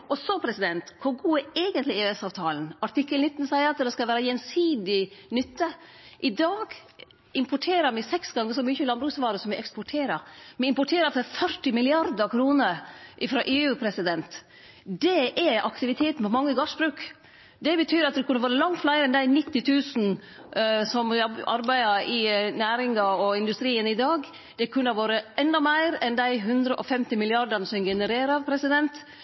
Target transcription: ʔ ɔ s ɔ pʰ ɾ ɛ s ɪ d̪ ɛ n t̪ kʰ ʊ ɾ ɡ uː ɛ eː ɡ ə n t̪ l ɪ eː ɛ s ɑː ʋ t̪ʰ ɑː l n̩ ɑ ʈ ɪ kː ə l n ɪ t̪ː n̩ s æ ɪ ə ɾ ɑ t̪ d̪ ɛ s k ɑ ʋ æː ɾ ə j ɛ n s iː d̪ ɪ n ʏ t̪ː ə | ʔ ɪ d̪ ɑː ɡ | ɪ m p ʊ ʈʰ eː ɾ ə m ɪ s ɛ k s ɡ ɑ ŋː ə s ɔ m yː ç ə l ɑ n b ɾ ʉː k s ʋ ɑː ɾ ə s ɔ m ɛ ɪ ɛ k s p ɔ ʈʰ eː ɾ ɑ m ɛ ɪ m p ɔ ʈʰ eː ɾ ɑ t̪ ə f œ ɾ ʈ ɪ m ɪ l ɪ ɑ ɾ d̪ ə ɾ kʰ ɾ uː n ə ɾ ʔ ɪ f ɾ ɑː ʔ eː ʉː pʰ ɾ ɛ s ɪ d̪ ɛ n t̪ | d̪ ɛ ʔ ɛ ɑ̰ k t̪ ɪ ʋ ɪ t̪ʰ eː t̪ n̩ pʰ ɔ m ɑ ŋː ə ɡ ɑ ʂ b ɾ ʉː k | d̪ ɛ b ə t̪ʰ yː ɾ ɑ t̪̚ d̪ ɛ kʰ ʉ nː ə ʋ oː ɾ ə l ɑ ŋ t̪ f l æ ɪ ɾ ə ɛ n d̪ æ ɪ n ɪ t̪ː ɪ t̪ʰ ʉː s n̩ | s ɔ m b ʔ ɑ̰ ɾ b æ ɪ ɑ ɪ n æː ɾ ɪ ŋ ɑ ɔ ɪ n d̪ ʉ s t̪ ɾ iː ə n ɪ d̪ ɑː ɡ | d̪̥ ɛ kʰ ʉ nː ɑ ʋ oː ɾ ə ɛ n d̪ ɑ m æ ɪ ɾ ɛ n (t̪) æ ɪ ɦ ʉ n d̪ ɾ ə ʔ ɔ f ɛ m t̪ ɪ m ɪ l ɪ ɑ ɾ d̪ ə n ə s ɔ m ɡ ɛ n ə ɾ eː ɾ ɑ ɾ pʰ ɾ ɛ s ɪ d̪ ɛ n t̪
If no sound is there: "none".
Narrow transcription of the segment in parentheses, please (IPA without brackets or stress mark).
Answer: d̪